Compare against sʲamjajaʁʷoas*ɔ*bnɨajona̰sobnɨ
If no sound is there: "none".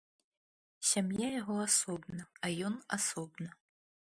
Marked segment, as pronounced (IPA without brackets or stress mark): o